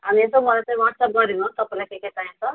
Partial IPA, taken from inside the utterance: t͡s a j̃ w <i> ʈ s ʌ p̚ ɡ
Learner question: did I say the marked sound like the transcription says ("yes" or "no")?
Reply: no